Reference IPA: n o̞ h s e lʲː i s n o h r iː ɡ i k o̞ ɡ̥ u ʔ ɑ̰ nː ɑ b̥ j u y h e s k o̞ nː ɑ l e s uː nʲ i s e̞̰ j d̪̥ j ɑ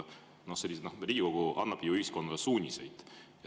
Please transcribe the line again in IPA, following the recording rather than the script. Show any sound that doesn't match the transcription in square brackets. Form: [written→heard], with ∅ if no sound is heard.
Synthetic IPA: n o̞ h s e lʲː i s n o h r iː ɡ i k o̞ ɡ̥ u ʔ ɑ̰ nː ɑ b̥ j u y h [e→i] s k o̞ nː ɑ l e s uː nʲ i s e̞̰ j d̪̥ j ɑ